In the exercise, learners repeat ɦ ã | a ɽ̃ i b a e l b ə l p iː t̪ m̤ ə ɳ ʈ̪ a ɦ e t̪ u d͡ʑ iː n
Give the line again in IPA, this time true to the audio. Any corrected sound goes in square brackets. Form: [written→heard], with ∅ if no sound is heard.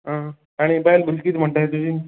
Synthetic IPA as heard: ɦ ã | a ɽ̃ i b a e l b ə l [p→k] iː t̪ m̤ ə ɳ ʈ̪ a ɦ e t̪ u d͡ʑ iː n